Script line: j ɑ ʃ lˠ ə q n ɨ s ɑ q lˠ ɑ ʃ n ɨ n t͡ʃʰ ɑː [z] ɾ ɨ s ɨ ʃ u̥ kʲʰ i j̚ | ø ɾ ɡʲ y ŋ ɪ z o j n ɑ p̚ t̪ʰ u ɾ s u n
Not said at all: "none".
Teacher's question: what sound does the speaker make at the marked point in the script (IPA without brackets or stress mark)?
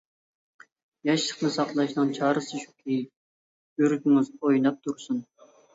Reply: none